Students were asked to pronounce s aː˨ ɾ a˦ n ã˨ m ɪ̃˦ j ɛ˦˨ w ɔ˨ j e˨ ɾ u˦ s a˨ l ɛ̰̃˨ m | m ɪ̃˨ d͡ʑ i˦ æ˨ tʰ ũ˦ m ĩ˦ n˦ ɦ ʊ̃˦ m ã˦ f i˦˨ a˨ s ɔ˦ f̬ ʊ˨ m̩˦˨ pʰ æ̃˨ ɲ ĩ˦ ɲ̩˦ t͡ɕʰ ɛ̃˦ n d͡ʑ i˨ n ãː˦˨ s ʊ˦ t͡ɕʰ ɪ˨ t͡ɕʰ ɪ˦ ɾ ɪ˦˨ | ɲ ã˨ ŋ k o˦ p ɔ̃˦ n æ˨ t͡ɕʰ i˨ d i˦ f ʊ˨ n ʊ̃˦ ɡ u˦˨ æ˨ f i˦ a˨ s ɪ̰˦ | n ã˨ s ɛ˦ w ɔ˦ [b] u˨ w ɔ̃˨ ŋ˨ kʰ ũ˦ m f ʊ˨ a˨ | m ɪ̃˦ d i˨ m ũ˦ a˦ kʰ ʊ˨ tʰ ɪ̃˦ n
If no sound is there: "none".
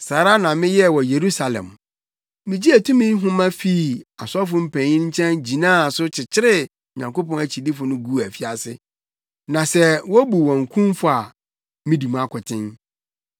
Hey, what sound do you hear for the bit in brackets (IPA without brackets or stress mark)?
b